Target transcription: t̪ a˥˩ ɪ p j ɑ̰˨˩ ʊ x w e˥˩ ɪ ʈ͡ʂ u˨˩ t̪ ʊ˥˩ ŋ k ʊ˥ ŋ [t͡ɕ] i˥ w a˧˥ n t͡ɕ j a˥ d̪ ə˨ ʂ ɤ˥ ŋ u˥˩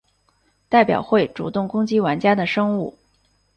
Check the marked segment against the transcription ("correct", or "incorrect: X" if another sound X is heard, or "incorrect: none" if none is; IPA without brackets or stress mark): correct